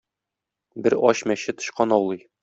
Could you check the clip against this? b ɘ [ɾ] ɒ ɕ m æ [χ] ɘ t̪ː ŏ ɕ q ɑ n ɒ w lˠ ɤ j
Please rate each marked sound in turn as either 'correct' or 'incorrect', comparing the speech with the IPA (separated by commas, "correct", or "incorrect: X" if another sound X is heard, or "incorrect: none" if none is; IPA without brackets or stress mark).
correct, incorrect: ɕ